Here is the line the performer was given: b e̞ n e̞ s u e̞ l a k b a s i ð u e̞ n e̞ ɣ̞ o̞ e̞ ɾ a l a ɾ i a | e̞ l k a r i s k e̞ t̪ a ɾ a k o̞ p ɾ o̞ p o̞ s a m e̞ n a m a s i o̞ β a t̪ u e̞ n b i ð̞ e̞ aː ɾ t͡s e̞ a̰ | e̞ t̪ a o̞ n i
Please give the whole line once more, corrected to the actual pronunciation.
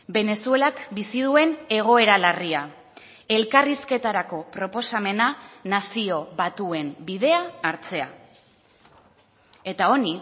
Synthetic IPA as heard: b e̞ n e̞ s u e̞ l a k b i s i ð u e̞ n e̞ ɣ̞ o̞ e̞ ɾ a l a r i a | e̞ l k a r i s k e̞ t̪ a ɾ a k o̞ p ɾ o̞ p o̞ s a m e̞ n a n a s i o̞ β a t̪ u e̞ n b i ð̞ e̞ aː ɾ t͡s e̞ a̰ | e̞ t̪ a o̞ n i